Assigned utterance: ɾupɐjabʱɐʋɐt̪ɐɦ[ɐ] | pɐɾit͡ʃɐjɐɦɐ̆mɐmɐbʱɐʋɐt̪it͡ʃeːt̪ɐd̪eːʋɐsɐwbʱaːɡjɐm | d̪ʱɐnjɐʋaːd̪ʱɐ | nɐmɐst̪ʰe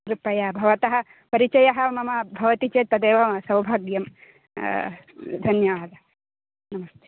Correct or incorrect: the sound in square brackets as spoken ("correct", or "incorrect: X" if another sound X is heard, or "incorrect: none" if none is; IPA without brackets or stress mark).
correct